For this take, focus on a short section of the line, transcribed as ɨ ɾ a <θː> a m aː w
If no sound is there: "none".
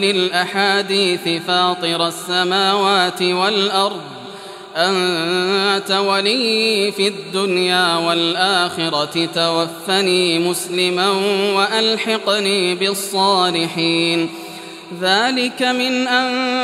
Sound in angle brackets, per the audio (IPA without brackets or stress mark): sː